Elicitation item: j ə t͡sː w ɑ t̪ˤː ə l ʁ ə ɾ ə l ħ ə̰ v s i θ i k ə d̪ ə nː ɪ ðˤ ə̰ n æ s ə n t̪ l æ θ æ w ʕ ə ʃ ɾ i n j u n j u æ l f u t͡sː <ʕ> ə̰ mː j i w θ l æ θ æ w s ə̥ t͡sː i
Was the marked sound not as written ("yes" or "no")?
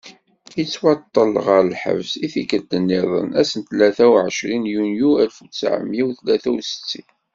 no